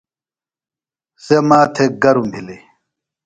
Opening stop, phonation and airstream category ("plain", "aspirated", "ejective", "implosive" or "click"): aspirated